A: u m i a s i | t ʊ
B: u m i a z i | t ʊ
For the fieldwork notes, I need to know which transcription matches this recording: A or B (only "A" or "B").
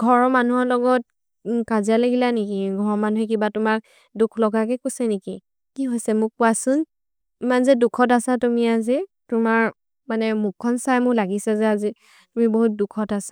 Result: B